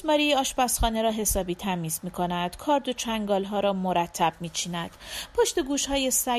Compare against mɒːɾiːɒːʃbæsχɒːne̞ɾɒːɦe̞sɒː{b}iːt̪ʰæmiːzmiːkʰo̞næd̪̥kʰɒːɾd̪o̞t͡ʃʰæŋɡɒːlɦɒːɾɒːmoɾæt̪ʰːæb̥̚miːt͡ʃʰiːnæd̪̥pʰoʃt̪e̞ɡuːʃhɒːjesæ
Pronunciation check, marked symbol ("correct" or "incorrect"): correct